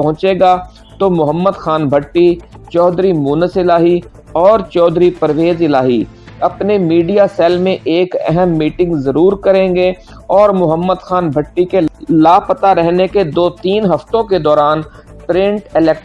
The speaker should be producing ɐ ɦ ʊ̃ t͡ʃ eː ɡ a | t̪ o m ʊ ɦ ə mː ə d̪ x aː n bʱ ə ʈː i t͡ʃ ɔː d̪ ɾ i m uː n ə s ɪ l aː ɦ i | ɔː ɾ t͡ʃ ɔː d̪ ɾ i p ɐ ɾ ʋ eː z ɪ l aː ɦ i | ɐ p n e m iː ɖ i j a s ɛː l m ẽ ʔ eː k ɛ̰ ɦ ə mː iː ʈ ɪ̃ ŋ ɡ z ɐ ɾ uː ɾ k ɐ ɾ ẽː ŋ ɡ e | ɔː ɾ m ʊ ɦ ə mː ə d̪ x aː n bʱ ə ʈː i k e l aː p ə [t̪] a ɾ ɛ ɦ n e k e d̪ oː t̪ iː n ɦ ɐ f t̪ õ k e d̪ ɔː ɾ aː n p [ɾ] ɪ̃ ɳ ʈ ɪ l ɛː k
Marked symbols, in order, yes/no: yes, yes

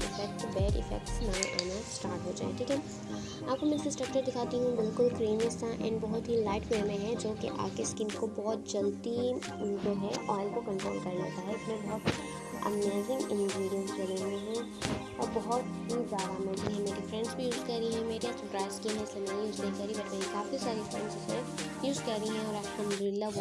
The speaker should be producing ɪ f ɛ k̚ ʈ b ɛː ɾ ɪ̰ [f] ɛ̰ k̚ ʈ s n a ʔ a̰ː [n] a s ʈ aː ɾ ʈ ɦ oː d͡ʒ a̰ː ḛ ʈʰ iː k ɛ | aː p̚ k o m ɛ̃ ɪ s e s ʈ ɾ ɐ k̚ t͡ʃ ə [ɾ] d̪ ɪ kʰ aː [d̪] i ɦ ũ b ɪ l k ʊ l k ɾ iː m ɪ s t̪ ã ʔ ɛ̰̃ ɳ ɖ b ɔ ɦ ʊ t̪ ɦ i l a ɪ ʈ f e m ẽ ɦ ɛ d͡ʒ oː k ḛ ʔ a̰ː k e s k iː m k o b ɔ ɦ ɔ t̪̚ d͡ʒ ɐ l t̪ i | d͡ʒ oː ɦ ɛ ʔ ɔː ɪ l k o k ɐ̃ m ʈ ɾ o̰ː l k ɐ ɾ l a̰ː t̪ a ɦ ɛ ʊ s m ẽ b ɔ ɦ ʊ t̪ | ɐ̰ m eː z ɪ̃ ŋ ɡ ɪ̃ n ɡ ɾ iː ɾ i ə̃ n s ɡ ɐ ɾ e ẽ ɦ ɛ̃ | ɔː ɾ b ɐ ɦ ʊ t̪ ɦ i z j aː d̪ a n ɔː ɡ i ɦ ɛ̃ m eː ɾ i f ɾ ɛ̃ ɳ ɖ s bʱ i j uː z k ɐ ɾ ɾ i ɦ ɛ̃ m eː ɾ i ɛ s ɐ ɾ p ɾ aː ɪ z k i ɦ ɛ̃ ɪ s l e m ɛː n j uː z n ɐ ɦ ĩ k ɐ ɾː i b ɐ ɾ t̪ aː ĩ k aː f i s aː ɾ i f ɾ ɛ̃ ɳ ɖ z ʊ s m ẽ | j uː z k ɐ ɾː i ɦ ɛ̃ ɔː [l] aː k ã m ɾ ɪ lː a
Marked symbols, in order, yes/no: yes, yes, yes, no, no

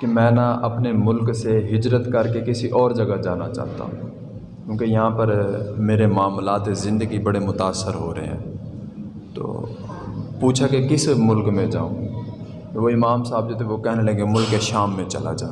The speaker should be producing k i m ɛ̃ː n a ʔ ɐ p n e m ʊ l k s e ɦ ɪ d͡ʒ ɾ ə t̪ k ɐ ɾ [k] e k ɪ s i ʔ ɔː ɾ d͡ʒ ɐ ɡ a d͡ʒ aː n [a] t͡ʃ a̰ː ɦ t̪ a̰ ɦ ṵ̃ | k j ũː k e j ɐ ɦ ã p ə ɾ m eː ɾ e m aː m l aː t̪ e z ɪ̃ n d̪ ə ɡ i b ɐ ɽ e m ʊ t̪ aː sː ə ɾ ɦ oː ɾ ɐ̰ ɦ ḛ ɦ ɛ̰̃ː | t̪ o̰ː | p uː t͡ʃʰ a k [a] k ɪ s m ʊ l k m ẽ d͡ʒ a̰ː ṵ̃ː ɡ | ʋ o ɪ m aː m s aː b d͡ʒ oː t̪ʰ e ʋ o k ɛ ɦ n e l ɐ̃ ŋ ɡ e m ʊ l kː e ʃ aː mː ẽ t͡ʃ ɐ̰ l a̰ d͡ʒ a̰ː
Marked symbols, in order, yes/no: yes, yes, no

